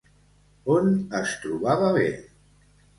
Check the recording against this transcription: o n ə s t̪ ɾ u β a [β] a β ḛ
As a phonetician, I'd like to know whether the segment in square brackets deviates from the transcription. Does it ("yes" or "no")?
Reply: no